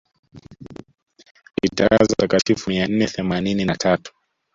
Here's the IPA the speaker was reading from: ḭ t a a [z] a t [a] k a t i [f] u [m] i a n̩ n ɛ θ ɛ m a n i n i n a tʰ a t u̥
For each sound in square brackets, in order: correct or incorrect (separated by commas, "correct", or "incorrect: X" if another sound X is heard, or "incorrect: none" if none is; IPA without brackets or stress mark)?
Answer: correct, correct, correct, correct